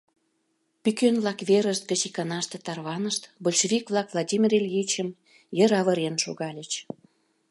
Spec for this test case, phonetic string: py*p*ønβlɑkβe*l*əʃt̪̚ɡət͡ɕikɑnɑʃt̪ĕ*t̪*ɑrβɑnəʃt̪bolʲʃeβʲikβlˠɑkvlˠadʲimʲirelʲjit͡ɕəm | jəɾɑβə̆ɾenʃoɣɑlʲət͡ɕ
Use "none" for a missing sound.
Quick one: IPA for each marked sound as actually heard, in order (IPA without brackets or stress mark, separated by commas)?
k, ɾ, t̪